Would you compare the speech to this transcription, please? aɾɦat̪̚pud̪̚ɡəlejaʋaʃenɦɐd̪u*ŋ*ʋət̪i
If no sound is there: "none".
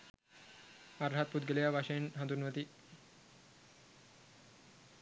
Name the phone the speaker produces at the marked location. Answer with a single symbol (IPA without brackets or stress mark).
n